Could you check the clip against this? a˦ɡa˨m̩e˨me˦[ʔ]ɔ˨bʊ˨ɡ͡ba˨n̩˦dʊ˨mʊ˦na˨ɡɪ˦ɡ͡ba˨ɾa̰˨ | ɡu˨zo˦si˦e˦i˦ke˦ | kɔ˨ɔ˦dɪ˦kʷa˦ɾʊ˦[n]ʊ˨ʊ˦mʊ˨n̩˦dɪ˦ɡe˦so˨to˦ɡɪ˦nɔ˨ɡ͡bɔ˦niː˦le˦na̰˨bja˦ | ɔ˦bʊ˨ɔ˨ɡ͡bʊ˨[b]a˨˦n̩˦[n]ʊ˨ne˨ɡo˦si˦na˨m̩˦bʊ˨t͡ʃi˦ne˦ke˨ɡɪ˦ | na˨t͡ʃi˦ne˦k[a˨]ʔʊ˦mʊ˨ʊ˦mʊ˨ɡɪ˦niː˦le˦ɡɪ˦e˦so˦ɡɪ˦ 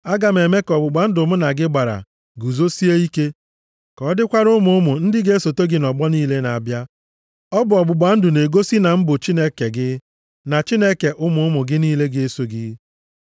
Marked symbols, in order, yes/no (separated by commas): no, no, no, no, no